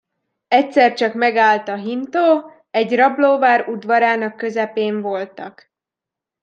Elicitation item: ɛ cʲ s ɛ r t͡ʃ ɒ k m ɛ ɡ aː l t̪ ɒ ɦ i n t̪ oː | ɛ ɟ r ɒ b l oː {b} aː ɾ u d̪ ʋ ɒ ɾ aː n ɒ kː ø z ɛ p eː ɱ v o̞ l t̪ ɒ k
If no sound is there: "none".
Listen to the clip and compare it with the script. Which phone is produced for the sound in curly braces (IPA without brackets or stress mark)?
v